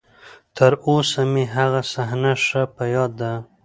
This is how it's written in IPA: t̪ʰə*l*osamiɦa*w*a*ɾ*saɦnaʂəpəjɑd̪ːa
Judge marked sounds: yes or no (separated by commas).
no, no, no